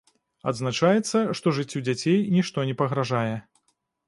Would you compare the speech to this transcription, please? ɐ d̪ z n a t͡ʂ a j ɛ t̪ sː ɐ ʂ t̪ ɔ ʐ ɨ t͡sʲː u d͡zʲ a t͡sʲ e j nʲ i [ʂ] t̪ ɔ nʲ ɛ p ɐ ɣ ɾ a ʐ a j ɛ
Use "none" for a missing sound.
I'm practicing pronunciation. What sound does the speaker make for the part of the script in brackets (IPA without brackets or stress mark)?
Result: ʂ